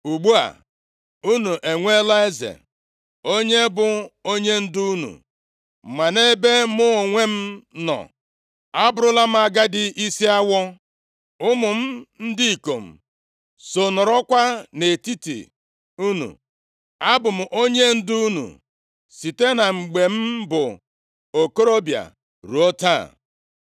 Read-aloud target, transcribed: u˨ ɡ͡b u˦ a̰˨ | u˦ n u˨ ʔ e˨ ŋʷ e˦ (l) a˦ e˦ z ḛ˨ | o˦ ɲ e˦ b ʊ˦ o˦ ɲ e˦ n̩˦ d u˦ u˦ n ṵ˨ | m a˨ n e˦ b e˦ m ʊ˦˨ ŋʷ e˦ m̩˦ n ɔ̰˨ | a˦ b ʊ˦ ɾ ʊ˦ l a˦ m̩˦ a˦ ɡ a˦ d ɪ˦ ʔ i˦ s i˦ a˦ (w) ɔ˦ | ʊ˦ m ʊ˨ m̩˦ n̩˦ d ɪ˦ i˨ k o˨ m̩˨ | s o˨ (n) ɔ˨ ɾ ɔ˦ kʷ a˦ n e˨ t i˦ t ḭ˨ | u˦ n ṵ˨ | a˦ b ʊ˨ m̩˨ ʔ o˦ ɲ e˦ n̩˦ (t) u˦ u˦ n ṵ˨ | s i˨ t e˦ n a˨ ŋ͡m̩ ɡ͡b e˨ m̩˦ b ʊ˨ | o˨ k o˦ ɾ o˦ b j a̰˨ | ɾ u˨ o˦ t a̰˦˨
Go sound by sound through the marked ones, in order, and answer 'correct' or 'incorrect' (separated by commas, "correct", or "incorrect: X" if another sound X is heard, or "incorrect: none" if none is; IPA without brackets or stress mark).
correct, correct, correct, incorrect: d